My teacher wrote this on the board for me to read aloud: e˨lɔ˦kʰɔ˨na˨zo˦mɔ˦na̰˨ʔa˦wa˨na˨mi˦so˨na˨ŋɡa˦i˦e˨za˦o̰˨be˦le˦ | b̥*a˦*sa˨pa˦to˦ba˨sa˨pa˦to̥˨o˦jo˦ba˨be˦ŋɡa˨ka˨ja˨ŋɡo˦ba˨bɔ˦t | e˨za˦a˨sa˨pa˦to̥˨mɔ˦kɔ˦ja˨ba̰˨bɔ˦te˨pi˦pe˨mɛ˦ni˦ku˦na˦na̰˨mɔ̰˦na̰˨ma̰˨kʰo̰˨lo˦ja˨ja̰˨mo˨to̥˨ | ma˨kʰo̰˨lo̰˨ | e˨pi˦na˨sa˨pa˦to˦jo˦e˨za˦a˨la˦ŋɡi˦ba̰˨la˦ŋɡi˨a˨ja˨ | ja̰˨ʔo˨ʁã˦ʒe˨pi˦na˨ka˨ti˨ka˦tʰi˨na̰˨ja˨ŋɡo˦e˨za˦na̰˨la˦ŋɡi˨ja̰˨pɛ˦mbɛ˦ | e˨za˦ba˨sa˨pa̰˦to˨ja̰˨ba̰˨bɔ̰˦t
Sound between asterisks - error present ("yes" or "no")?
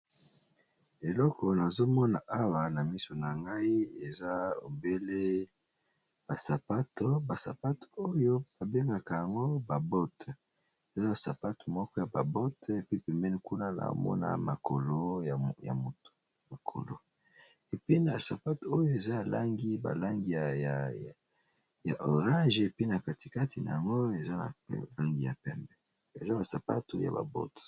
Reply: yes